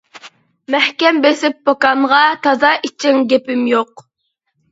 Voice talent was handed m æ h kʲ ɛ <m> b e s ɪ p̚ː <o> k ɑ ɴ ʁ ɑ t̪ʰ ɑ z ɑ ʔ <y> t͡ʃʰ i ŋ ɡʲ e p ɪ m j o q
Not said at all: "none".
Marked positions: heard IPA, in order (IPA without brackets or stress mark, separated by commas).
m, o, i